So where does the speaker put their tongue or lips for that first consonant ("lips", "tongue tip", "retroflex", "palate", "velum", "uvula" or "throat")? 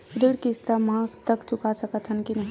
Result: tongue tip